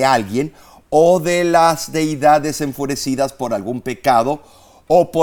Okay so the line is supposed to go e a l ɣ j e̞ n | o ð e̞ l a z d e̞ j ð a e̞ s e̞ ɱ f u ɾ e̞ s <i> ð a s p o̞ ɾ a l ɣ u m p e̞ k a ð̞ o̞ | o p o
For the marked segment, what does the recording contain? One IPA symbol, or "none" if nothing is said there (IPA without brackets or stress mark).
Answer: i